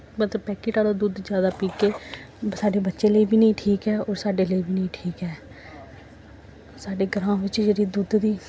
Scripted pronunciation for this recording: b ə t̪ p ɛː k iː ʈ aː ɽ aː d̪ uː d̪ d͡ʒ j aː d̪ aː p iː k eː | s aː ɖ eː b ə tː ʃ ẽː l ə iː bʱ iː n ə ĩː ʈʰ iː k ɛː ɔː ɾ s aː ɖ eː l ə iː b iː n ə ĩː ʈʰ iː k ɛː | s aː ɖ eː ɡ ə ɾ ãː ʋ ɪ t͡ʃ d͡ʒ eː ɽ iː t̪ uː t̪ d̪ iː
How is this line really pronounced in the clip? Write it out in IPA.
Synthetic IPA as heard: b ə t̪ p ɛː k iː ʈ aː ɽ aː d̪ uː d̪ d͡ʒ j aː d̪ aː p iː k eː | s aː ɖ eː b ə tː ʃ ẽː l ə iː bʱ iː n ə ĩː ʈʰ iː k ɛː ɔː ɾ s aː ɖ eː l ə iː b iː n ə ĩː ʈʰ iː k ɛː | s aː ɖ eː ɡ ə ɾ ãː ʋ ɪ t͡ʃ d͡ʒ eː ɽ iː d̪ uː d̪ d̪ iː